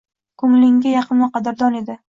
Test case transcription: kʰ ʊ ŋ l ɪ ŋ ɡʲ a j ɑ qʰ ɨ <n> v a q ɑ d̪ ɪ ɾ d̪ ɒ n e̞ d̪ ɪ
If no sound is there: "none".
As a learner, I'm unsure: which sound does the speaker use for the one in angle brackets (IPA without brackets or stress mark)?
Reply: n